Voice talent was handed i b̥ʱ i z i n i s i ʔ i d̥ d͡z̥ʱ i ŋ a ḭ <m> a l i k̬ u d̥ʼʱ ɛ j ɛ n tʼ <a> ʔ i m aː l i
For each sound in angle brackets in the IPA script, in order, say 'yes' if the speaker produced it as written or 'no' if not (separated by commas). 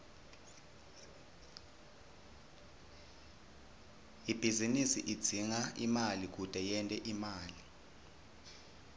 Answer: yes, no